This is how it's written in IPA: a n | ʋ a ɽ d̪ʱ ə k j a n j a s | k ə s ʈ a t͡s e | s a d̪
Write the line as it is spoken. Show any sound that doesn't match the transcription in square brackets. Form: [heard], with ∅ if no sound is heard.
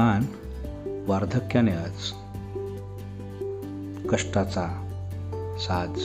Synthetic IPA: a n | ʋ a [ɾ] d̪ʱ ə k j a n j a [t͡s] | k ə [ʂ] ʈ a t͡s [a] | s a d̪